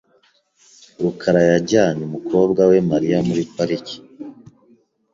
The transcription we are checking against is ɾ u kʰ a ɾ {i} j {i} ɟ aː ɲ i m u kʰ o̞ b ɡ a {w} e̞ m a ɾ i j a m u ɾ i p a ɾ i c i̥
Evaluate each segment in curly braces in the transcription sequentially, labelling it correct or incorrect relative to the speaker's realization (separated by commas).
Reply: incorrect, incorrect, correct